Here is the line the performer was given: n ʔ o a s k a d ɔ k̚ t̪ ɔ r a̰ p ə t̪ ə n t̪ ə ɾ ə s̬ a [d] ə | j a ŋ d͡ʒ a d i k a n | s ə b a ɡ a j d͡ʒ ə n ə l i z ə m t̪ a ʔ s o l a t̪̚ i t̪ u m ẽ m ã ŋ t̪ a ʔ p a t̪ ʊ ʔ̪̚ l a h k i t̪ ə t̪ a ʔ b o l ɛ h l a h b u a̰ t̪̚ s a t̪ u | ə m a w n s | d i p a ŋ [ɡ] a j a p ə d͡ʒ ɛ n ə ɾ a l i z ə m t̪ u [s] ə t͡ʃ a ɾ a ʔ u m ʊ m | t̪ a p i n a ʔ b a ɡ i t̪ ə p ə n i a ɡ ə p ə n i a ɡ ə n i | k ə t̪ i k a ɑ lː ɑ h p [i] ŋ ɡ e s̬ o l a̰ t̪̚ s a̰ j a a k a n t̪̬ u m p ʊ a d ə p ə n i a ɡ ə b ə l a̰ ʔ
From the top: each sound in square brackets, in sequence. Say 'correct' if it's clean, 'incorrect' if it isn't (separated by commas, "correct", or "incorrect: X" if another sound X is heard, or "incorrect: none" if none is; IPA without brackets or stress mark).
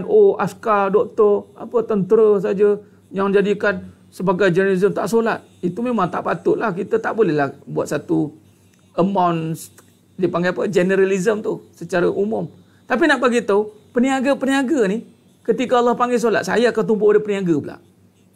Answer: incorrect: d͡ʒ, correct, correct, incorrect: a